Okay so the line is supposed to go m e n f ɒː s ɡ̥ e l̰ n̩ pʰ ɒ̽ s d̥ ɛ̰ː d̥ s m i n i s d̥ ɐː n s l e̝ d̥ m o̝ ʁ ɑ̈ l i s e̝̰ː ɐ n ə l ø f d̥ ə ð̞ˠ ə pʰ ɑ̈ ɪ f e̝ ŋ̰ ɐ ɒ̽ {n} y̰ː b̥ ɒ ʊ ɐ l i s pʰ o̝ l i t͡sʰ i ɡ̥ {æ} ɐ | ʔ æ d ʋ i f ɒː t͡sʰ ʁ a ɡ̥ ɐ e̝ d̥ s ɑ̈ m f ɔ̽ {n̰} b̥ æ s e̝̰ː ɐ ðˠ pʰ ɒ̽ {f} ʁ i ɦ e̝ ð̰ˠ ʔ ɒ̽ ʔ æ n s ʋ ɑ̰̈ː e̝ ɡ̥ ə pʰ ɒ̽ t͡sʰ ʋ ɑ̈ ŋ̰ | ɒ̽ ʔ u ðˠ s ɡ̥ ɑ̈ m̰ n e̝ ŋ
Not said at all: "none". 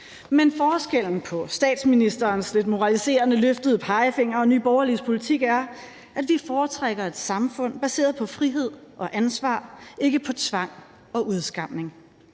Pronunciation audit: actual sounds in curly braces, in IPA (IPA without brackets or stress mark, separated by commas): n, æ, n̰, f